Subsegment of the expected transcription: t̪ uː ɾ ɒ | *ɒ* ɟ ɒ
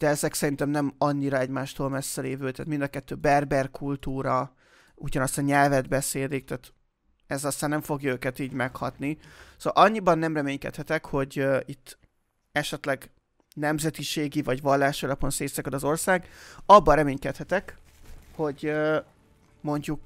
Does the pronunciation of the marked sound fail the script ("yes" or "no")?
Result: yes